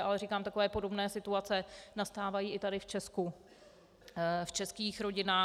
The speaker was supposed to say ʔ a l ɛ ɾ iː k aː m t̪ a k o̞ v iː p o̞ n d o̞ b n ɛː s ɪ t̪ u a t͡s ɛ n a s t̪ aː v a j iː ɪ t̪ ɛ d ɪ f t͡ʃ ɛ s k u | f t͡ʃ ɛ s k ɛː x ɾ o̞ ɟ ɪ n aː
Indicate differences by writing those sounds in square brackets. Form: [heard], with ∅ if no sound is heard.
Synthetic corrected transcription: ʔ a l ɛ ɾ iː k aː m t̪ a k o̞ v [ɛː] p o̞ [∅] d o̞ b n ɛː s ɪ t̪ u a t͡s ɛ n a s t̪ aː v a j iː ɪ t̪ [a] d ɪ f t͡ʃ ɛ s k u | f t͡ʃ ɛ s k [iː] x ɾ o̞ ɟ ɪ n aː